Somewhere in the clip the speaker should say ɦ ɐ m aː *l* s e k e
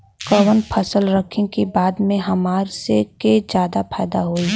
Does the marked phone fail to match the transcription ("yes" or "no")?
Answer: yes